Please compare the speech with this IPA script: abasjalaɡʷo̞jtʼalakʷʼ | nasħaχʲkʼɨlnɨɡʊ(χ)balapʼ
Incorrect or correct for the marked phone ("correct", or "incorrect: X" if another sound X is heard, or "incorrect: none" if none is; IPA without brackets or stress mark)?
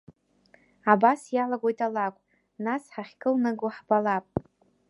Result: incorrect: ħ